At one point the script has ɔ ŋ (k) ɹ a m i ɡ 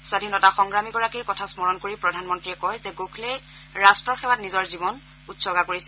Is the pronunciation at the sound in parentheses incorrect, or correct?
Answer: incorrect: ɡ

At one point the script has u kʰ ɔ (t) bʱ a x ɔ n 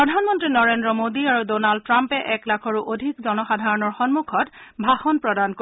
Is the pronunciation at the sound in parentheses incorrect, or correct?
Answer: correct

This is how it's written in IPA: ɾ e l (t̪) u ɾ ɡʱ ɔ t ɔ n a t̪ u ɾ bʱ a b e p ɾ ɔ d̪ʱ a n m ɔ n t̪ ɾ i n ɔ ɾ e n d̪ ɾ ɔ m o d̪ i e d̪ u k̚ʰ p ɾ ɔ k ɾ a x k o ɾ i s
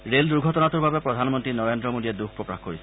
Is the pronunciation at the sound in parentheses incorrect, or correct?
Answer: incorrect: d̪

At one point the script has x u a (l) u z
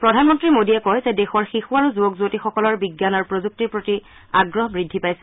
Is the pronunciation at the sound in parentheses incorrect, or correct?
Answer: incorrect: ɹ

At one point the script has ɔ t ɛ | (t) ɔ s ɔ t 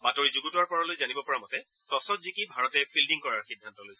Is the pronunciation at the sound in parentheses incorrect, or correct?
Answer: correct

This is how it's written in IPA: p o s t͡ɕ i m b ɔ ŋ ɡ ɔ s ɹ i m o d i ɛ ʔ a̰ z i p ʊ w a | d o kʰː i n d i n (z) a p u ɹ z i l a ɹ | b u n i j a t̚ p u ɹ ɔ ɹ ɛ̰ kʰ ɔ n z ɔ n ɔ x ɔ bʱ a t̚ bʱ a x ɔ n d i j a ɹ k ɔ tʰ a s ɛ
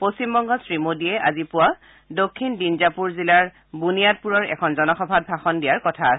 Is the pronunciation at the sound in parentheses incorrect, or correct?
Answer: correct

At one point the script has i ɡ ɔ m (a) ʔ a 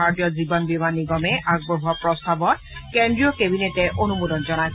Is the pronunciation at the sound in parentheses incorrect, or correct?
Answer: incorrect: ɛ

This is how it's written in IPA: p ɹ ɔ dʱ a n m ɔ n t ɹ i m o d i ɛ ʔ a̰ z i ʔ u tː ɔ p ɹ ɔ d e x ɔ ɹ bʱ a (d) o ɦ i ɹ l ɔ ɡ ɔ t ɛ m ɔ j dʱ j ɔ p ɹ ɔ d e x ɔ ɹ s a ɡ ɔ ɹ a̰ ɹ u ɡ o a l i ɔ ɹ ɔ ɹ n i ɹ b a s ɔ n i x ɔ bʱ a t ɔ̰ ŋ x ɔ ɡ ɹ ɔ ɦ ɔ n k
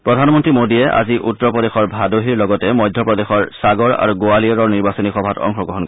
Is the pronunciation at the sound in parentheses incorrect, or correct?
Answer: correct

